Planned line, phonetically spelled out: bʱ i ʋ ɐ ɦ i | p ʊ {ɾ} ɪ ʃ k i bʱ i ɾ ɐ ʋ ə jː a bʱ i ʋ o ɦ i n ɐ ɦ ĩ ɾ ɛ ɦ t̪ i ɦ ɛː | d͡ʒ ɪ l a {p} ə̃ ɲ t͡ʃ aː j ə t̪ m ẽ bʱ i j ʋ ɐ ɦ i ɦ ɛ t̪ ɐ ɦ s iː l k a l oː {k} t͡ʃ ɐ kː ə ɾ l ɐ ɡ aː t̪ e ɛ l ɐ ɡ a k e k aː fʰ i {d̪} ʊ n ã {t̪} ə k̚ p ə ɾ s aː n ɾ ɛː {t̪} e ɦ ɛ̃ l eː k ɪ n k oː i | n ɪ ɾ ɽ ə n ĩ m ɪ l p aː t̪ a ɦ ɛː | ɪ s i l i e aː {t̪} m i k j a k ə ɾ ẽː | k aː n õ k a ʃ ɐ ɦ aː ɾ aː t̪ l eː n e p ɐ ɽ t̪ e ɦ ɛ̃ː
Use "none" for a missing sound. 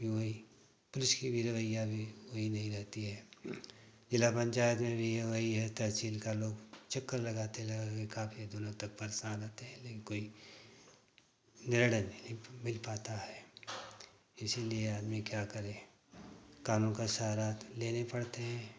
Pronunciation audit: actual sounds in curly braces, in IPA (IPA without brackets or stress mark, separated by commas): l, p, ɡ, d̪, t̪, t̪, d̪